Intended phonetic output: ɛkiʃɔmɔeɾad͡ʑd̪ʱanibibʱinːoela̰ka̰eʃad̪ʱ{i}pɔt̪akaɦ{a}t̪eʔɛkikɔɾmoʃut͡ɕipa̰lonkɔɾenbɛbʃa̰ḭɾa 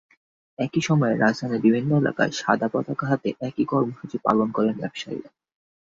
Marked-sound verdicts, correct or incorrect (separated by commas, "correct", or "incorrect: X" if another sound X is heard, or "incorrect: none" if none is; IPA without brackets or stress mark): incorrect: a, correct